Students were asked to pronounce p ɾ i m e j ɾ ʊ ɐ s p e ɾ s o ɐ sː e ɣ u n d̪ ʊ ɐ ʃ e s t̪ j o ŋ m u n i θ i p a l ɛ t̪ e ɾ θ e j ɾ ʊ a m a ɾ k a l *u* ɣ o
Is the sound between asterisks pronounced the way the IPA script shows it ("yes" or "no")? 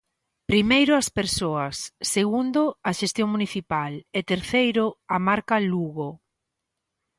yes